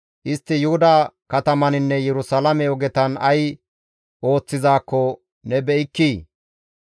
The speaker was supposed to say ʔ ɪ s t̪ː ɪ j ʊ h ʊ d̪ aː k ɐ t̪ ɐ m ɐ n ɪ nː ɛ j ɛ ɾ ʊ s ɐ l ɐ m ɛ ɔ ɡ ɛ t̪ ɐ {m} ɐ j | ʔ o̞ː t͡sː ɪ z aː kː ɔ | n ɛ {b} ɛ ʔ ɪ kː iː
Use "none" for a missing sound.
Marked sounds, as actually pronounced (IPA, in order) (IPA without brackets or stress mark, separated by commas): n, b